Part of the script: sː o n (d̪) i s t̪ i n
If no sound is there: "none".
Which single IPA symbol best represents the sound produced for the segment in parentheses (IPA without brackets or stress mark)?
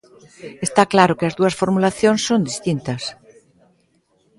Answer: d̪